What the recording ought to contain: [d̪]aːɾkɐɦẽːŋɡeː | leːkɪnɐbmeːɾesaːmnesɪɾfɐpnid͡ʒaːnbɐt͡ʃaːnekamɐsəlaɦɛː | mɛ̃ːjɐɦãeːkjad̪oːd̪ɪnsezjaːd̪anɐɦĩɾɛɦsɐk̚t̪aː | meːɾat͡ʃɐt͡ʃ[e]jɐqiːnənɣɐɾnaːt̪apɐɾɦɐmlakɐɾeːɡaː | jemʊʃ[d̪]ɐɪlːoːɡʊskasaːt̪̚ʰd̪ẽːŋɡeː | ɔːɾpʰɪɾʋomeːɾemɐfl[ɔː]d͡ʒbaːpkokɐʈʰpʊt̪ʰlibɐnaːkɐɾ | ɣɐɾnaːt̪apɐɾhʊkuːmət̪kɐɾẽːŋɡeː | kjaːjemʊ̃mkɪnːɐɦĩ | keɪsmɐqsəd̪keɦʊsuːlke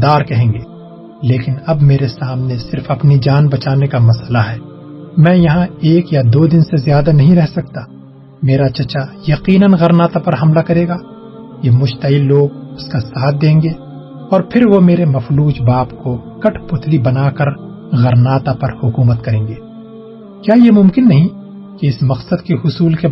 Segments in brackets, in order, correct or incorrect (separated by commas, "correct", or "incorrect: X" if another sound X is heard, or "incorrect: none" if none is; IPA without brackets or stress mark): correct, incorrect: a, incorrect: t̪, incorrect: uː